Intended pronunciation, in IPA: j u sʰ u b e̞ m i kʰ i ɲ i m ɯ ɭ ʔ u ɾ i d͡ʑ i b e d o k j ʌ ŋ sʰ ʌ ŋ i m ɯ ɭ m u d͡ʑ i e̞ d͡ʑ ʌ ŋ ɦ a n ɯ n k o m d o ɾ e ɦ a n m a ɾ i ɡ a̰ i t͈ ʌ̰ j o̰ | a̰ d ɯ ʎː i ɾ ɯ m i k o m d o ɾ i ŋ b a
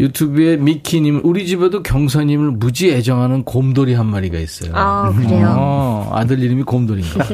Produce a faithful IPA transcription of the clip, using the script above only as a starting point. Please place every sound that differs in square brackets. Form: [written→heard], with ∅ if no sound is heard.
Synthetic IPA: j u [sʰ→tʰ] u b e̞ m i kʰ i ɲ i m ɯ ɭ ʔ u ɾ i d͡ʑ i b e d o k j ʌ ŋ sʰ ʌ [ŋ→ɲ] i m ɯ ɭ m u d͡ʑ i e̞ d͡ʑ ʌ ŋ ɦ a n ɯ n k o m d o ɾ [e→i] ɦ a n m a ɾ i ɡ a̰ i [t͈→s͈] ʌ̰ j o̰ | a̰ d ɯ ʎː i ɾ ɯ m i k o m d o ɾ i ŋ [b→ɡ] a